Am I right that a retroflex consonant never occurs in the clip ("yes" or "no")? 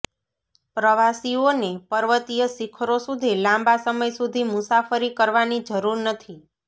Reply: yes